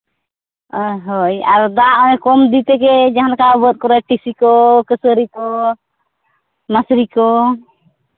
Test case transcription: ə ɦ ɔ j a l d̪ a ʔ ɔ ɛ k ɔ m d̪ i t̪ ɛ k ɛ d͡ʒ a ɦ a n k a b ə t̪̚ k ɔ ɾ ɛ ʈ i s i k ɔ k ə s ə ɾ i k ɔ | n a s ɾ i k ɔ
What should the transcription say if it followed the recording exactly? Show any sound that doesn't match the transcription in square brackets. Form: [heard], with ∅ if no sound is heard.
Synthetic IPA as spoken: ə ɦ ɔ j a [ɾ] d̪ a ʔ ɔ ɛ k ɔ m d̪ i t̪ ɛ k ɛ d͡ʒ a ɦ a n k a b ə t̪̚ k ɔ ɾ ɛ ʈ i s i k ɔ k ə s ə ɾ i k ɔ | [m] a s ɾ i k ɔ